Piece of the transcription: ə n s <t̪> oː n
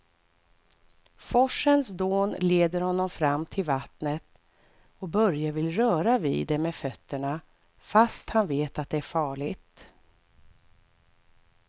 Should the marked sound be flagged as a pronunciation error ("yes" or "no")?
yes